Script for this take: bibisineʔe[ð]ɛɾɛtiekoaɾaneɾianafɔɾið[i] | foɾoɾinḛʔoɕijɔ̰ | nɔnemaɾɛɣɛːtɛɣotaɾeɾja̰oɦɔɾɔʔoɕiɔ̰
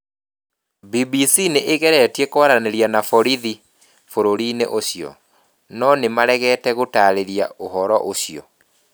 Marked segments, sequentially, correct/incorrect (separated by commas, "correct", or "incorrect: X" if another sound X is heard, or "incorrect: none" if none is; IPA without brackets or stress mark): incorrect: ɣ, correct